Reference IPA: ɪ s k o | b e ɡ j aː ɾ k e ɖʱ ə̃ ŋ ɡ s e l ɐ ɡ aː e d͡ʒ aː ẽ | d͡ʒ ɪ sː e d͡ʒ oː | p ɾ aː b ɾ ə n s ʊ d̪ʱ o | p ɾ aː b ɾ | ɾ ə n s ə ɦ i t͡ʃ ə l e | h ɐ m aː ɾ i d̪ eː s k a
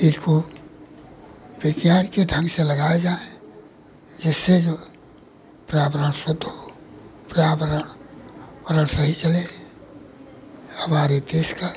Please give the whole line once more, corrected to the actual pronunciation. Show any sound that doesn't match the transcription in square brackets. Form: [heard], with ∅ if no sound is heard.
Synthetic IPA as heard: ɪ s k o | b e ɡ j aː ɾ k e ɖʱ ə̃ ŋ ɡ s e l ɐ ɡ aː e d͡ʒ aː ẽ | d͡ʒ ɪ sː e d͡ʒ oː | p ɾ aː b ɾ ə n s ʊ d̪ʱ o | p ɾ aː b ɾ | ɾ ə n s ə ɦ i t͡ʃ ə l e | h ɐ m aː ɾ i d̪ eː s k a